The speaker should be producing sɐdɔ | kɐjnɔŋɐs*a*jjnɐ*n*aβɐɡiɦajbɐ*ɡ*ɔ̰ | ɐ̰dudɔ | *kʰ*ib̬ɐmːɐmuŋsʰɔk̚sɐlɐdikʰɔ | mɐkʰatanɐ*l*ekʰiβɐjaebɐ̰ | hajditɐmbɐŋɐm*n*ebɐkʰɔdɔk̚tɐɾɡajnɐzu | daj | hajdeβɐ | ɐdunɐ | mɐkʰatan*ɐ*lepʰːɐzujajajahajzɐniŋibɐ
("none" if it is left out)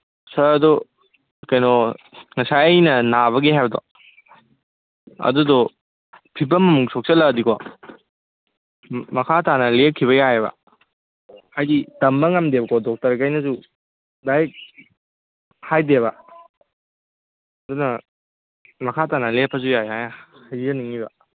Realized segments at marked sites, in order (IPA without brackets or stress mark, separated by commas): a, n, d, pʰ, l, d, ɐ